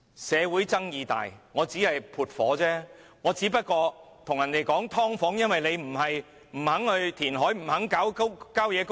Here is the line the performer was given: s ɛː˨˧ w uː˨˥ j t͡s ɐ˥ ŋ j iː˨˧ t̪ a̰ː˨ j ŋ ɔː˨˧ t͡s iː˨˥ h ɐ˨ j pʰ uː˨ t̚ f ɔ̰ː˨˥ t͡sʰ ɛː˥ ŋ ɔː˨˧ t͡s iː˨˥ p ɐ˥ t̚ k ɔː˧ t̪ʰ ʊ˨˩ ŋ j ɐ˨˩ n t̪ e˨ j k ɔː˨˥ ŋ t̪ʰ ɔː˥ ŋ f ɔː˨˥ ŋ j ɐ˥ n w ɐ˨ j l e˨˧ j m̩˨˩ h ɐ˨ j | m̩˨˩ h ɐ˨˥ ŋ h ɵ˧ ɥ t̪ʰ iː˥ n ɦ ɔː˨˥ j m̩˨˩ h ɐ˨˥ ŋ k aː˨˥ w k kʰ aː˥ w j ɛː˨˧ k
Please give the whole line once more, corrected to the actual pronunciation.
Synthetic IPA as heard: s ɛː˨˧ w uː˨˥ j t͡s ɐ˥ ŋ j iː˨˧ t̪ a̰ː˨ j ŋ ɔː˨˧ t͡s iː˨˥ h ɐ˨ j pʰ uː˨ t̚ f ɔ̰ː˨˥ t͡s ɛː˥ ŋ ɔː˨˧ t͡s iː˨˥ p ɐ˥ t̚ k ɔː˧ t̪ʰ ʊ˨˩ ŋ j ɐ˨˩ n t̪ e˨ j k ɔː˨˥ ŋ t̪ʰ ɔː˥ ŋ f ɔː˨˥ ŋ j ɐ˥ n w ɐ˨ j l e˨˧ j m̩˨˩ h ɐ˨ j | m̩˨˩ h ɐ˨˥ ŋ h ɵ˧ ɥ t̪ʰ iː˨˩ n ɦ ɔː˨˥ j m̩˨˩ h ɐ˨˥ ŋ k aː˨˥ w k k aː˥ w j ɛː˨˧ k